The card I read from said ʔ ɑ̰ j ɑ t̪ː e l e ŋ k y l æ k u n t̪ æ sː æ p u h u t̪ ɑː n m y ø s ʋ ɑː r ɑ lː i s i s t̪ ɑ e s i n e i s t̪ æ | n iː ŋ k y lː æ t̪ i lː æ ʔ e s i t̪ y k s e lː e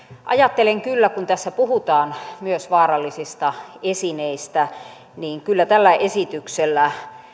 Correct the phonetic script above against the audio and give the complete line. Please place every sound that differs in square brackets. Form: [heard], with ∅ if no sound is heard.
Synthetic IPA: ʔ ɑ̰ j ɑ t̪ː e l e ŋ k y [lː] æ k u n t̪ æ sː æ p u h u t̪ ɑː n m y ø s ʋ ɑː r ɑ lː i s i s t̪ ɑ e s i n e i s t̪ æ | n iː ŋ k y lː æ t̪ [æ] lː æ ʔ e s i t̪ y k s e lː [æ]